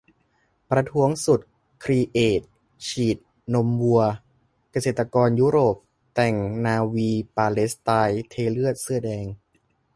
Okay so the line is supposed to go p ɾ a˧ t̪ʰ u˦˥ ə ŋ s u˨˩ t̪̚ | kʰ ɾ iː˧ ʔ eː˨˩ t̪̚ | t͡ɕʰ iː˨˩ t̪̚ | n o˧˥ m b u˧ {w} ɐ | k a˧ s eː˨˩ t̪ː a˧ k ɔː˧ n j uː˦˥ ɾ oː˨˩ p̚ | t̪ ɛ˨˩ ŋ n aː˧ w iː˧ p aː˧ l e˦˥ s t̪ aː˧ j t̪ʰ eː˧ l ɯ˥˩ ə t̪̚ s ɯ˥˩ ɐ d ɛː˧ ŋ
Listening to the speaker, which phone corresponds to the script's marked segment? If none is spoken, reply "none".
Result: none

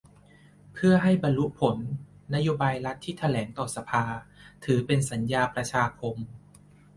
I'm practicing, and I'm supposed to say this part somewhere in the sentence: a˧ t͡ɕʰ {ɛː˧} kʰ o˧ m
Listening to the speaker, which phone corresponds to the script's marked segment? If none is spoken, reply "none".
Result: aː˧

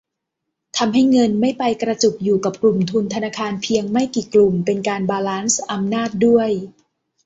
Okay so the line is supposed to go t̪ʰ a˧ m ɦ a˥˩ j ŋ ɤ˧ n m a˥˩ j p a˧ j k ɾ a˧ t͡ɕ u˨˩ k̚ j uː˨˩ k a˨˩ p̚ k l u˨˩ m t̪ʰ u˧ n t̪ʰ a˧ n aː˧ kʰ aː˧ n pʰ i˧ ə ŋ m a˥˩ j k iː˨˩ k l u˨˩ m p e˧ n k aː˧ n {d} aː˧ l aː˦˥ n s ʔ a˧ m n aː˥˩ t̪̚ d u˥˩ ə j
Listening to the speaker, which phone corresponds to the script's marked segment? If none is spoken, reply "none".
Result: b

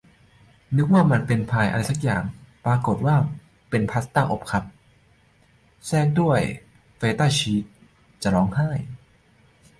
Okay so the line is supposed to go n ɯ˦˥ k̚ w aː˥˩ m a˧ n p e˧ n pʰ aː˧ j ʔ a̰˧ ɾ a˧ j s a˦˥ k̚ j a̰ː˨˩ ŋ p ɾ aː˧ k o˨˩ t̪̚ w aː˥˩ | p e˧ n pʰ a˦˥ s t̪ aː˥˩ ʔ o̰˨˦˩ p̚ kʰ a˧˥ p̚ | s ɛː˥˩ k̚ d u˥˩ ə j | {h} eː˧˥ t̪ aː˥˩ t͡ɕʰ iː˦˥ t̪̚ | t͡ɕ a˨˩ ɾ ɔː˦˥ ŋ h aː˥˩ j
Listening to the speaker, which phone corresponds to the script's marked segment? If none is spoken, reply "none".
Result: f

